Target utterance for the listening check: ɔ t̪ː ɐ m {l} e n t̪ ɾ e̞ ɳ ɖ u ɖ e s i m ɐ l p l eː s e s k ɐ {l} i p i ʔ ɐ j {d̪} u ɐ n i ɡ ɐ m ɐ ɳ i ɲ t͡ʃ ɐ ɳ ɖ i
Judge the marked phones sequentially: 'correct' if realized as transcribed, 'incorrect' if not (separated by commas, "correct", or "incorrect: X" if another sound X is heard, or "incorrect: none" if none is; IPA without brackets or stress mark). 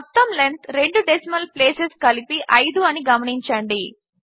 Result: correct, correct, correct